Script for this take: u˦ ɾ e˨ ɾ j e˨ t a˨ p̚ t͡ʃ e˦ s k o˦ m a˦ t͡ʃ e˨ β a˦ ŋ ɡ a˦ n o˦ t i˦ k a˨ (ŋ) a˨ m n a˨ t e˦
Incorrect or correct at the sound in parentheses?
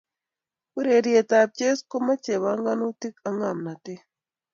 correct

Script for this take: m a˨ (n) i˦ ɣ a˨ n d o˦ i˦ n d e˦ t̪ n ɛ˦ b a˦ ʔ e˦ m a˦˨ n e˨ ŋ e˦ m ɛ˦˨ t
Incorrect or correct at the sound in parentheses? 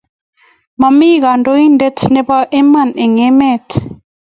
incorrect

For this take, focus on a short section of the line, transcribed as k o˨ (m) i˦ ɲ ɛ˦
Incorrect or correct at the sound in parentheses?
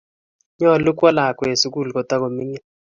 correct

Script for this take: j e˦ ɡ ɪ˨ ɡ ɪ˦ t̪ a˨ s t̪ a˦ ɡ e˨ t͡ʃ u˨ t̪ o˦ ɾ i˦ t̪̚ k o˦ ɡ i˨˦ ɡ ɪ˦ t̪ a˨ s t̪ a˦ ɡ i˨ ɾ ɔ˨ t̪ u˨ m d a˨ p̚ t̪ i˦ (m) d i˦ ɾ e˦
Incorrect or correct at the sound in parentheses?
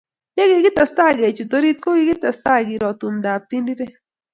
incorrect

